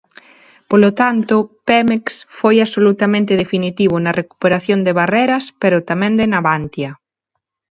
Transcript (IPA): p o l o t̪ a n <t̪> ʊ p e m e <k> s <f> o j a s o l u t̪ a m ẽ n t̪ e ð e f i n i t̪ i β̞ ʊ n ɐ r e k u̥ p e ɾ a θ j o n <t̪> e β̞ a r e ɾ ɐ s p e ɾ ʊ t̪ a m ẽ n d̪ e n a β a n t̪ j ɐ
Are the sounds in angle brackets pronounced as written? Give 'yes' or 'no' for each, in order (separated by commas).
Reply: yes, yes, yes, no